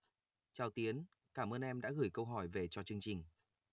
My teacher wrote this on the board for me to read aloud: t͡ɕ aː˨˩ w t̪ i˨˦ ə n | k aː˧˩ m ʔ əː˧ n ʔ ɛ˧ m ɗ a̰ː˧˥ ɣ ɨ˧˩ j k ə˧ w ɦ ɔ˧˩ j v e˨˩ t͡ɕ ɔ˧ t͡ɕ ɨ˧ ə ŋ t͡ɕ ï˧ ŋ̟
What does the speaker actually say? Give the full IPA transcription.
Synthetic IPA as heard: t͡ɕ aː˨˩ w t̪ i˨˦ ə n | k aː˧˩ m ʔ əː˧ n ʔ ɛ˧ m ɗ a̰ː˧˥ ɣ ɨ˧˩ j k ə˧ w ɦ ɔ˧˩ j v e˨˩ t͡ɕ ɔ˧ t͡ɕ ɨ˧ ə ŋ t͡ɕ ï˨˩ ŋ̟